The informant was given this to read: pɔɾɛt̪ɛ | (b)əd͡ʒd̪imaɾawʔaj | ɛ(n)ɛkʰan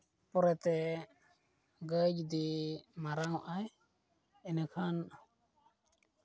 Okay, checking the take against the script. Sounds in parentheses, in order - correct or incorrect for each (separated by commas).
incorrect, correct